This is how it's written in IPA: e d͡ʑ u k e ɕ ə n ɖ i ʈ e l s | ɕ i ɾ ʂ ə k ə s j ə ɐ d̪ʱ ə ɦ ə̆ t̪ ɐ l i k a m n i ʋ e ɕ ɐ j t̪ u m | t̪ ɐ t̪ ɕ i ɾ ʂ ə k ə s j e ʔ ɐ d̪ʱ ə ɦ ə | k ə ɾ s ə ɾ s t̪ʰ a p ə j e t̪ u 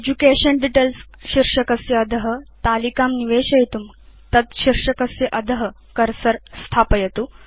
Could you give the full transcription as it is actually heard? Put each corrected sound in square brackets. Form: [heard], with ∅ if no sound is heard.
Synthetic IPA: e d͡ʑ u k e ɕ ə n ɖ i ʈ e l s | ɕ i ɾ ʂ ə k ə s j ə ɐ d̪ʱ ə ɦ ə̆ t̪ [a] l i k a m n i ʋ e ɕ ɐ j t̪ u m | t̪ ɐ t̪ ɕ i ɾ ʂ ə k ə s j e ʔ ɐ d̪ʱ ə ɦ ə | k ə ɾ s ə ɾ s t̪ʰ a p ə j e t̪ u